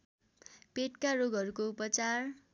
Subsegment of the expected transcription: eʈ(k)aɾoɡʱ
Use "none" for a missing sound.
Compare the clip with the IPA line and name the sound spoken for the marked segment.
k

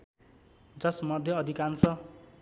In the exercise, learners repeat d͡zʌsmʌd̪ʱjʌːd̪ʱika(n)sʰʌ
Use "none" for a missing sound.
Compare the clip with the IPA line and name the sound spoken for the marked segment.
n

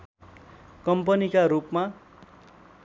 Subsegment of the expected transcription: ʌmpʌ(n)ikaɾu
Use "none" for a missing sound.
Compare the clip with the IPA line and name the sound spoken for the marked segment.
n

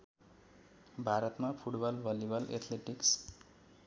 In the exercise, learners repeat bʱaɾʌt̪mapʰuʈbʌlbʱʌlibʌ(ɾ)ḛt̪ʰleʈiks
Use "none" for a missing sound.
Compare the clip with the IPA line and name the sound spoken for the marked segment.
l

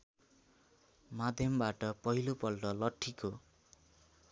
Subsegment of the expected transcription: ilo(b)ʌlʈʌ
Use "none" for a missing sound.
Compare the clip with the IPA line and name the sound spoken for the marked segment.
p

